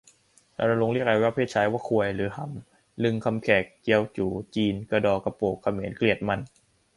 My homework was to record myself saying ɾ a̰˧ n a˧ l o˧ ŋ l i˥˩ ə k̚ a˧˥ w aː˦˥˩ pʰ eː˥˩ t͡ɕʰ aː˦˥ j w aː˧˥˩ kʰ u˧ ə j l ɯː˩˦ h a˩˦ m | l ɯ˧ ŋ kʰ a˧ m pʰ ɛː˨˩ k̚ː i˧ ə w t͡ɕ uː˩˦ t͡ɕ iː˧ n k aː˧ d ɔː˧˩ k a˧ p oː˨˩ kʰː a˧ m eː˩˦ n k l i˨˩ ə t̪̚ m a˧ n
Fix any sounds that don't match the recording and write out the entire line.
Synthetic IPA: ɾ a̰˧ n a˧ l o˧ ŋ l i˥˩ ə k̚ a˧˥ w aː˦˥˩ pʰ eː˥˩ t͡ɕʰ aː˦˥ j w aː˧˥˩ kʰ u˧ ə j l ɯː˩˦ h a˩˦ m | l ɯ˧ ŋ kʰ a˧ m kʰ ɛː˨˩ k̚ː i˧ ə w t͡ɕ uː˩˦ t͡ɕ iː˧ n k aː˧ d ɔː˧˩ k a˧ p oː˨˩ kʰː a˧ m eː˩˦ n k l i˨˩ ə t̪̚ m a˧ n